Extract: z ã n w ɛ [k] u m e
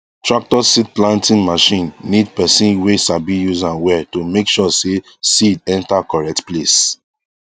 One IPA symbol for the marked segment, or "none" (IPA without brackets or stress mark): t